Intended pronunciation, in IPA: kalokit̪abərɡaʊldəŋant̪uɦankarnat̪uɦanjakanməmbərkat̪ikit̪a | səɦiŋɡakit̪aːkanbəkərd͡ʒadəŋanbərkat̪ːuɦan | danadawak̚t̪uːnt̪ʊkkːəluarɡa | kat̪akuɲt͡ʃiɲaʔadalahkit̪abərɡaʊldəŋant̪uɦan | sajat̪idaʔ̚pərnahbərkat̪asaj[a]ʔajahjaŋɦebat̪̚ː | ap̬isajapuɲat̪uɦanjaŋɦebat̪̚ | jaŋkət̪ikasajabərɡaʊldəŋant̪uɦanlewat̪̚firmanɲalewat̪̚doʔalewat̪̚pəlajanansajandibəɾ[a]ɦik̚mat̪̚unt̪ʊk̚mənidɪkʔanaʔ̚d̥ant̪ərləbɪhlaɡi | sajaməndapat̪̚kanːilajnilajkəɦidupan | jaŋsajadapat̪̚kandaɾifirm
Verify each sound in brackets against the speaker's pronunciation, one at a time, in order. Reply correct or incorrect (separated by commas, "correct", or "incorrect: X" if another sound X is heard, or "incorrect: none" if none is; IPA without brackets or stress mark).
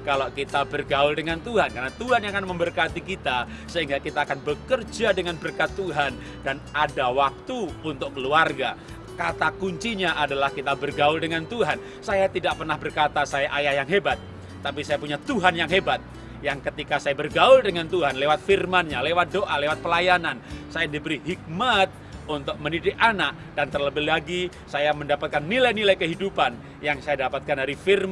correct, incorrect: i